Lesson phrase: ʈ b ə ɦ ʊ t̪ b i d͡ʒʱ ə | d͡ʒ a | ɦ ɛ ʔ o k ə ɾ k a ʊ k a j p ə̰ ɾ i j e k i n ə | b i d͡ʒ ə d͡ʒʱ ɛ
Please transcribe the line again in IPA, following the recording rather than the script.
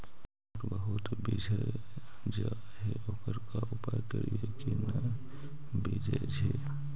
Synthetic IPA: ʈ b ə ɦ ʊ t̪ b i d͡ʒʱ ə | d͡ʒ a | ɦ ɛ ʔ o k ə ɾ k a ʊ p a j k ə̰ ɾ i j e k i n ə | b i d͡ʒ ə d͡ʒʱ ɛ